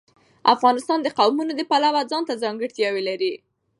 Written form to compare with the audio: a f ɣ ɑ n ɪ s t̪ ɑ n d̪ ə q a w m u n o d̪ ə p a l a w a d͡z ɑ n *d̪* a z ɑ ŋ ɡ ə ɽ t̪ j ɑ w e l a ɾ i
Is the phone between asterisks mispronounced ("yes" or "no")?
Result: yes